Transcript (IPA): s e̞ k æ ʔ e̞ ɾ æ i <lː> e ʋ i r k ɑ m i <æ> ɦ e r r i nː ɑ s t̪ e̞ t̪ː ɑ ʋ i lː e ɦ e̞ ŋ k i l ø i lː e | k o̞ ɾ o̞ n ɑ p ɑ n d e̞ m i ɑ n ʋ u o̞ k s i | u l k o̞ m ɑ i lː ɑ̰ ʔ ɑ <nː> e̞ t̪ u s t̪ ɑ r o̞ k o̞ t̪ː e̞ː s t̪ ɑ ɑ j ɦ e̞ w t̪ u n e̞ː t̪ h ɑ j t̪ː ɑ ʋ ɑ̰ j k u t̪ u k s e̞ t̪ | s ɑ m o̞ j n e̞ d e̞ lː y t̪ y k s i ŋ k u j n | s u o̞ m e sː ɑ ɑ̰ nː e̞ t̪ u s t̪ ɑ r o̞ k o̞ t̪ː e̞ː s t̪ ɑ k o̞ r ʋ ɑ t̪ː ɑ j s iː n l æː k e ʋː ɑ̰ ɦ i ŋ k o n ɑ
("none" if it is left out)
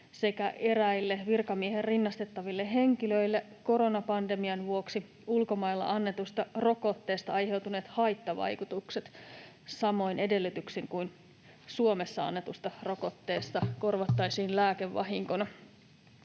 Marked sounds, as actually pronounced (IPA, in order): lː, e, nː

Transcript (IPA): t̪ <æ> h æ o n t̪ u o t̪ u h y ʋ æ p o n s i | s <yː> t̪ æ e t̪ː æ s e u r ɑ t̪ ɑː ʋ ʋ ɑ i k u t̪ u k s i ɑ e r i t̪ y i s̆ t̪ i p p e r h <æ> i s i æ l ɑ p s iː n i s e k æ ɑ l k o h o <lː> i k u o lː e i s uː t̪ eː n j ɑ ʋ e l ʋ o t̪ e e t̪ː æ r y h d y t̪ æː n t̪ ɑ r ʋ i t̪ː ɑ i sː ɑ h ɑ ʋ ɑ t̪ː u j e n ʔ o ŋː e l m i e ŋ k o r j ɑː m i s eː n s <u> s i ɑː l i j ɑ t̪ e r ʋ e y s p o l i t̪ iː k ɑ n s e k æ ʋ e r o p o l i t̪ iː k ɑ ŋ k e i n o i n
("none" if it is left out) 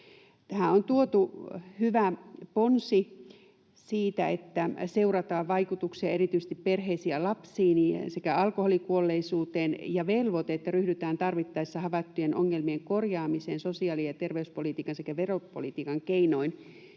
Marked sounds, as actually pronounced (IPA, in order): æ, iː, e, l, o

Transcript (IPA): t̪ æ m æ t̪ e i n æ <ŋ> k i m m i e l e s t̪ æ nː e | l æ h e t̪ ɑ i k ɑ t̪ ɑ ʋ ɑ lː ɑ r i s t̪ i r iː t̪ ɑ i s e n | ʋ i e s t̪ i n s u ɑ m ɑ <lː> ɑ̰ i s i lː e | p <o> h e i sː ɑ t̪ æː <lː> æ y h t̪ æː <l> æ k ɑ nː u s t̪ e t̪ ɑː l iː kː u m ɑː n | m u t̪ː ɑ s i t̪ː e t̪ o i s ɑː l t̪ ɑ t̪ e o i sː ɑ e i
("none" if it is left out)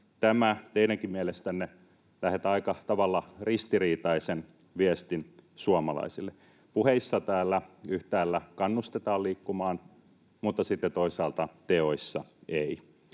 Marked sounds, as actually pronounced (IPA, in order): ŋ, l, u, lː, lː

